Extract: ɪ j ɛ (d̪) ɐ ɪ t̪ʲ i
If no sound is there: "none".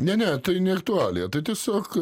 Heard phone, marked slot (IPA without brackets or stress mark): t̪